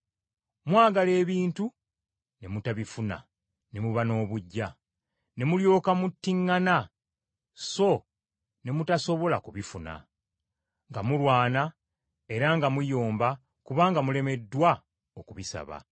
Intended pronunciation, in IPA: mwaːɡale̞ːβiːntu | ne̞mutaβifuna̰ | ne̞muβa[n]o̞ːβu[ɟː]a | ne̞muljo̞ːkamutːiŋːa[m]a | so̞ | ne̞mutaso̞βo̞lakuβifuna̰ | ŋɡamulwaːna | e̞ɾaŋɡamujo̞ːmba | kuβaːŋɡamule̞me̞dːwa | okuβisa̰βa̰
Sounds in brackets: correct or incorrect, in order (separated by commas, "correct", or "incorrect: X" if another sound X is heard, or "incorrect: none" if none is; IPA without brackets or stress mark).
correct, correct, incorrect: n